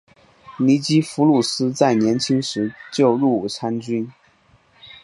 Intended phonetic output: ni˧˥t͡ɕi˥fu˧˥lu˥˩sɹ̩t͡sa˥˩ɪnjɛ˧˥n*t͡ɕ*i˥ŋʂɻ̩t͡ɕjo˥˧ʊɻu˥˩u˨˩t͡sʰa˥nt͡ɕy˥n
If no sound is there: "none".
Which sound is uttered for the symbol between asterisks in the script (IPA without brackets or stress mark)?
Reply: t͡ɕʰ